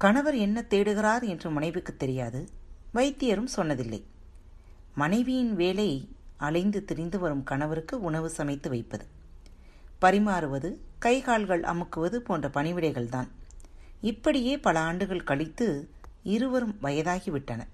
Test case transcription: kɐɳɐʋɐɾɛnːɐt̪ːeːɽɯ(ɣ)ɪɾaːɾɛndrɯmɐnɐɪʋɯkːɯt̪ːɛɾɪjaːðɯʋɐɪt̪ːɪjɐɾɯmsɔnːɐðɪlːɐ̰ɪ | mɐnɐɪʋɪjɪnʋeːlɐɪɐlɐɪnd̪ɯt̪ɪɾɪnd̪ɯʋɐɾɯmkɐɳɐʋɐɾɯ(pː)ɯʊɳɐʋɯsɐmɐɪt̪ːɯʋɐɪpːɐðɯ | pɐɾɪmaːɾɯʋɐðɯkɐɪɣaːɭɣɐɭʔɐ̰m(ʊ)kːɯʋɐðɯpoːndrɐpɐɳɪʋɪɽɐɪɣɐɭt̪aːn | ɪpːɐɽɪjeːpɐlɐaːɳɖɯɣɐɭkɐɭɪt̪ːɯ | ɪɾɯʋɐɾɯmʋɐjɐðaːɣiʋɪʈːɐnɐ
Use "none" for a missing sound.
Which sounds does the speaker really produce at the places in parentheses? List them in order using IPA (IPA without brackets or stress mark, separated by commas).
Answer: ɣ, kː, ɯ